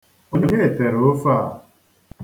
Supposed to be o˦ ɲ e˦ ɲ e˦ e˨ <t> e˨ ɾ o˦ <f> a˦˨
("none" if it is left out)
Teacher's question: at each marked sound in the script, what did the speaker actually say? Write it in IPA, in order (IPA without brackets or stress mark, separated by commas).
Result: t, f